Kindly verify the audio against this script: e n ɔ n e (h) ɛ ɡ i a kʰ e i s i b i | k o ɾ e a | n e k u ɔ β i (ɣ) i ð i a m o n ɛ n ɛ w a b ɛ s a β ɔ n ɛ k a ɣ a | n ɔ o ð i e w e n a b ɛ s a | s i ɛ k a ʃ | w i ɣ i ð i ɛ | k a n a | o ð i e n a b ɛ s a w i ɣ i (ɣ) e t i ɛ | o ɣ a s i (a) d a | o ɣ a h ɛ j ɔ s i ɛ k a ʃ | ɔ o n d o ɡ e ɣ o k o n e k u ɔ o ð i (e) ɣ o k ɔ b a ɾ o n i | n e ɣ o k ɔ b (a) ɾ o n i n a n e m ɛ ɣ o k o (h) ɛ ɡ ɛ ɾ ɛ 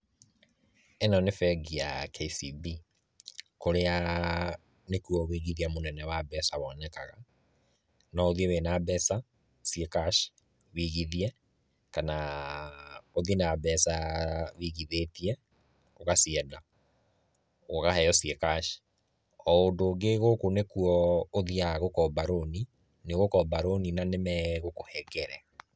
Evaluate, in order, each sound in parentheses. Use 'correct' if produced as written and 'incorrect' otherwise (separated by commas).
incorrect, correct, incorrect, incorrect, incorrect, correct, correct